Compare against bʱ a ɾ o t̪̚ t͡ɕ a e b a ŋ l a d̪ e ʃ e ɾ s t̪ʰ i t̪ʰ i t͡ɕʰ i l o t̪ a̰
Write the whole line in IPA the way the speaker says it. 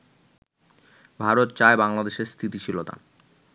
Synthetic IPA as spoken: bʱ a ɾ o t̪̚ t͡ɕ a e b a ŋ l a d̪ e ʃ e ɾ s t̪ʰ i t̪ i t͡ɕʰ i l o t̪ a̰